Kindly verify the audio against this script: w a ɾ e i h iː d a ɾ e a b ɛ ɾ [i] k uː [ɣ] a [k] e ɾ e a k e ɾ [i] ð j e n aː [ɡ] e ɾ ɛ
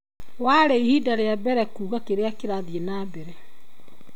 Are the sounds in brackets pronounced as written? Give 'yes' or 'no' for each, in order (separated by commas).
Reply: no, yes, yes, no, no